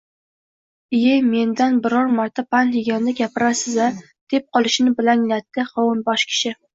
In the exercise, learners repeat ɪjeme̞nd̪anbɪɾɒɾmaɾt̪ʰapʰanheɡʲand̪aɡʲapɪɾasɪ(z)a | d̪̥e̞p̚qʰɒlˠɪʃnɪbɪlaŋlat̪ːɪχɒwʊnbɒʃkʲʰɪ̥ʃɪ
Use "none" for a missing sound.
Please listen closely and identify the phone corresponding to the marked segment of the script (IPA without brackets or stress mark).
z